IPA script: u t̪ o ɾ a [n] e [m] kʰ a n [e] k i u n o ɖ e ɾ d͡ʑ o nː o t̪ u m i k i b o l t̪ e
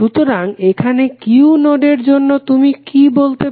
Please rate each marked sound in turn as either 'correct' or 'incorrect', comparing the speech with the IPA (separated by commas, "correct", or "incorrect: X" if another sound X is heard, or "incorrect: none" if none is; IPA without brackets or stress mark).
incorrect: ŋ, incorrect: none, correct